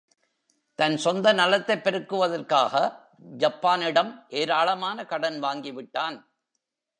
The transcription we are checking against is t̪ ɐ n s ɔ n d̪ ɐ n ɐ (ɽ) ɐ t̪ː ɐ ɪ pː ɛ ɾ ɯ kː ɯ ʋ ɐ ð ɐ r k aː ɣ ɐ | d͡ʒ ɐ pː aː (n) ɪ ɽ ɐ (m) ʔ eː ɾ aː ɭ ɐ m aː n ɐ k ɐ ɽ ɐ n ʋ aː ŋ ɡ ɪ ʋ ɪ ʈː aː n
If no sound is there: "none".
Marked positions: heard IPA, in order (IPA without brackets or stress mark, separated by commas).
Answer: l, n, m